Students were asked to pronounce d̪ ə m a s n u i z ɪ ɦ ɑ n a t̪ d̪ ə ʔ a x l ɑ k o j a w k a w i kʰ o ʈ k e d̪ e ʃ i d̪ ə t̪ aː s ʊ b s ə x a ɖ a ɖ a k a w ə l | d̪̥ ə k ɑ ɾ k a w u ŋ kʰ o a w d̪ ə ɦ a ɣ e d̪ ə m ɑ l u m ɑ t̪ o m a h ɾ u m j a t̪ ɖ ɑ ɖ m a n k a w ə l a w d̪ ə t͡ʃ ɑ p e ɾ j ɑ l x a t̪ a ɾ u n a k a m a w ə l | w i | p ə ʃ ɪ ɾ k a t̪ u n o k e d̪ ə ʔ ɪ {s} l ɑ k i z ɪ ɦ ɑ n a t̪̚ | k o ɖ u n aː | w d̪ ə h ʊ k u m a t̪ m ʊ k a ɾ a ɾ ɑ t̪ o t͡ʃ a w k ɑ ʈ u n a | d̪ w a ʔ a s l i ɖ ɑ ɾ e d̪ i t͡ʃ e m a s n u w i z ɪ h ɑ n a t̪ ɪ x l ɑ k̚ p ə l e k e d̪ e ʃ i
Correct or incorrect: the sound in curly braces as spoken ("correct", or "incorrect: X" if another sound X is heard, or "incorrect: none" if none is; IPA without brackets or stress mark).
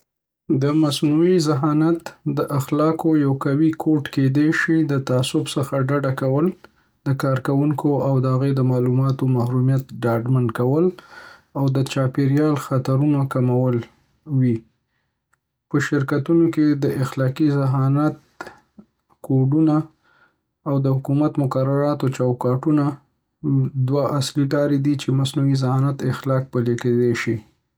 incorrect: x